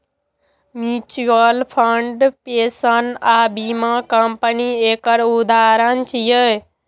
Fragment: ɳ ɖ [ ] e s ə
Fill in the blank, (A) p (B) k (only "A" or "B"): A